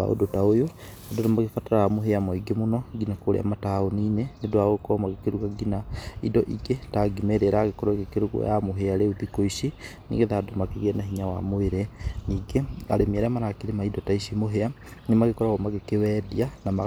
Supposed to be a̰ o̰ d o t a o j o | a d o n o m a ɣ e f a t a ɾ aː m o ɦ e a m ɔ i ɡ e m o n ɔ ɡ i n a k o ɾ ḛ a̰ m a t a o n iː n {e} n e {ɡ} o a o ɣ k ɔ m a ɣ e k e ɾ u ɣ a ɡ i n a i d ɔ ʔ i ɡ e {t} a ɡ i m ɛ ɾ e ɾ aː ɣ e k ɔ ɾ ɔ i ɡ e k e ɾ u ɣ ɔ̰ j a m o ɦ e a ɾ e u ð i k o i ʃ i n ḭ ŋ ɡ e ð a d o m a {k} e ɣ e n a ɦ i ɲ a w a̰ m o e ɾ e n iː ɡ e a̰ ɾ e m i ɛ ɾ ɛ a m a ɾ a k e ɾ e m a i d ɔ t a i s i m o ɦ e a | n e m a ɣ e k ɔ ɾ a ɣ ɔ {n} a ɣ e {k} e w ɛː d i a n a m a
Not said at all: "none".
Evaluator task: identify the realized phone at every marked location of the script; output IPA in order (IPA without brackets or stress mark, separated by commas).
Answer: e, d, t, k, m, k